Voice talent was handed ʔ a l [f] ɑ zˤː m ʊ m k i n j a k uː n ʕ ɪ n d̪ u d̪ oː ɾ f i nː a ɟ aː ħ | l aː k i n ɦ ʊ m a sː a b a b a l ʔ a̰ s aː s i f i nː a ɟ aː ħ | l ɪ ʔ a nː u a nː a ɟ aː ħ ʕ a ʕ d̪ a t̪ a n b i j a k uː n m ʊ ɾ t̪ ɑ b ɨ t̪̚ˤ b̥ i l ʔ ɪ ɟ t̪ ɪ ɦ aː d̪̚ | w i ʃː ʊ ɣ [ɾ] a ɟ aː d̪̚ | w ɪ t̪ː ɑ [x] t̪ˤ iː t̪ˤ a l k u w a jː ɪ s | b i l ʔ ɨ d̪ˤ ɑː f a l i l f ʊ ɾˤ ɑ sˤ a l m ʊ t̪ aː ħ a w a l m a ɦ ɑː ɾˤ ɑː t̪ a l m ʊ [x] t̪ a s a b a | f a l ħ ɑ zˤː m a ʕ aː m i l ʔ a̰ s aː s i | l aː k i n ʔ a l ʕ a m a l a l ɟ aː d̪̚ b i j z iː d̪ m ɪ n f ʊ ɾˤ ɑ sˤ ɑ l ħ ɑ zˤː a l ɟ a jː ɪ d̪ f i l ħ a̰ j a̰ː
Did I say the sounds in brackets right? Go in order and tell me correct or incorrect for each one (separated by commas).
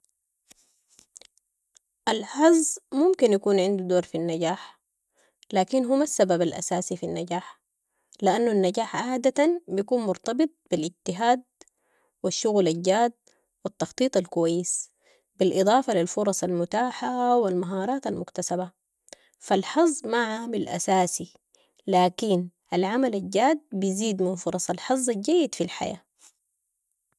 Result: incorrect, incorrect, correct, incorrect